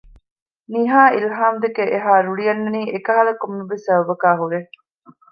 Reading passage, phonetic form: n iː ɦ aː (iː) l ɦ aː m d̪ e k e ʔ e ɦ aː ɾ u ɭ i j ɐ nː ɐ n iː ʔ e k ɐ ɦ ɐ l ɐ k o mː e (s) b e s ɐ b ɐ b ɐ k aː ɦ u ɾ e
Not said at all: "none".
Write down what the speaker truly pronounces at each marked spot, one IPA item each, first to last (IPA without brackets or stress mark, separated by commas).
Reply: i, none